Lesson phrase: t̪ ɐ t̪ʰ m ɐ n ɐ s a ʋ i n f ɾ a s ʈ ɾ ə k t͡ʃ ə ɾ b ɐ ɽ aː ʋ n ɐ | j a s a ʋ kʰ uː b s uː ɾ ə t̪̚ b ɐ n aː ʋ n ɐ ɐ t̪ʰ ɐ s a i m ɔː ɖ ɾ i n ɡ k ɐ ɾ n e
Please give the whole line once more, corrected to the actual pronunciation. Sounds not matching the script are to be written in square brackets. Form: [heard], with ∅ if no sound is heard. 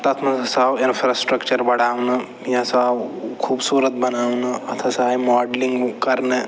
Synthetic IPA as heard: t̪ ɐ t̪ʰ m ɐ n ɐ s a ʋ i n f ɾ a s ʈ ɾ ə k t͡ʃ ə ɾ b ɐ ɽ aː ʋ n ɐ | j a s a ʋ kʰ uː b s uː ɾ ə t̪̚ b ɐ n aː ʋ n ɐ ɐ t̪ʰ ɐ s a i m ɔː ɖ [l] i [ŋ] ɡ k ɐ ɾ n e

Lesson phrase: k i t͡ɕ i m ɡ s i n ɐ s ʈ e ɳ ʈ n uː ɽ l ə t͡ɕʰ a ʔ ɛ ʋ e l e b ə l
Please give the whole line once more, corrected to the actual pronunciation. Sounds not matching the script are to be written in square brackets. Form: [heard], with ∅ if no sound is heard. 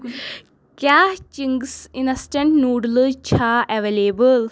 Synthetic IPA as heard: k [a] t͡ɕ i [ŋ] ɡ s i n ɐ s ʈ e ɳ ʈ n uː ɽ l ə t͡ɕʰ a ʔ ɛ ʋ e l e b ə l

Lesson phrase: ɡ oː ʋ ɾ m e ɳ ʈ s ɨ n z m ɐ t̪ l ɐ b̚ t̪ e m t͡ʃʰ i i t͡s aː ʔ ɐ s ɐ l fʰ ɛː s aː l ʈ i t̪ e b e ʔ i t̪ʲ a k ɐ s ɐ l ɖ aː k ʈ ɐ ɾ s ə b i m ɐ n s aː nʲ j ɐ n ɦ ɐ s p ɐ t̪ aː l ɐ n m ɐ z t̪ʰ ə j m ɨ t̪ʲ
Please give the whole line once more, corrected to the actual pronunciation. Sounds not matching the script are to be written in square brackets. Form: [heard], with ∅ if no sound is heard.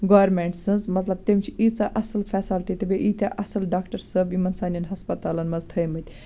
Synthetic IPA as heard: ɡ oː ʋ ɾ m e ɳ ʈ s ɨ n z m ɐ t̪ l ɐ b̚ t̪ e m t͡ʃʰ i i t͡s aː ʔ ɐ s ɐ l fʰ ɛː s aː l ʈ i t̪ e b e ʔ i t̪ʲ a [ʔ] ɐ s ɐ l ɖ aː k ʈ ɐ ɾ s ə b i m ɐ n s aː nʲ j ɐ n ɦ ɐ s p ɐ t̪ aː l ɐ n m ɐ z t̪ʰ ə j m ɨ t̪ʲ

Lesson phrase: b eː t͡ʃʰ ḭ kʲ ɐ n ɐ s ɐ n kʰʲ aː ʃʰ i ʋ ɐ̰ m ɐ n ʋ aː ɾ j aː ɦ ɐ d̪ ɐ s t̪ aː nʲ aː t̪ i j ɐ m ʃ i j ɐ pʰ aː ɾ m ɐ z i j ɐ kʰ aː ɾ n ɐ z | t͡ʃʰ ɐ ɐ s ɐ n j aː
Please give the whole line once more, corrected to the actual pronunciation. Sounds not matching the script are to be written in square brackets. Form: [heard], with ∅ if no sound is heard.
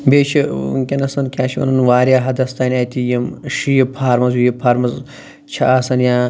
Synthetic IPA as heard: b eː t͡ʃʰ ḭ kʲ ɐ n ɐ s ɐ n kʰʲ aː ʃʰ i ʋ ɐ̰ [n] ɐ n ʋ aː ɾ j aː ɦ ɐ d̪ ɐ s t̪ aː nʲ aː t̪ i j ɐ m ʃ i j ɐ pʰ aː ɾ m ɐ z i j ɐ [pʰ] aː ɾ [m] ɐ z | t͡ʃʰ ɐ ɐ s ɐ n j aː

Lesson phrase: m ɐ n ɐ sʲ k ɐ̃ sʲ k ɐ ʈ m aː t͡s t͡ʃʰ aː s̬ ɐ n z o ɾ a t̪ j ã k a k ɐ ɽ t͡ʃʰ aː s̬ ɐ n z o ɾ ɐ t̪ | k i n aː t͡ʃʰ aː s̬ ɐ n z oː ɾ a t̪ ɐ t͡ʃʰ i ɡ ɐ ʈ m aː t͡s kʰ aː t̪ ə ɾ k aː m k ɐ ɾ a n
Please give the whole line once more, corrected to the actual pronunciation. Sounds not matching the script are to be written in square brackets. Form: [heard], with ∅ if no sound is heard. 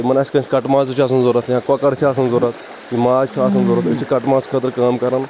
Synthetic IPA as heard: m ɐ n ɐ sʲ k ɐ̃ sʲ k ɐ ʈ m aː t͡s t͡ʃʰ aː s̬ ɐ n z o ɾ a t̪ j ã k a k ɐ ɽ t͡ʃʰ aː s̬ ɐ n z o ɾ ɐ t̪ | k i [m] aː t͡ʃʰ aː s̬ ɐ n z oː ɾ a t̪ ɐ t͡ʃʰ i [k] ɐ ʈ m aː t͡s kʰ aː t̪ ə ɾ k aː m k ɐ ɾ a n

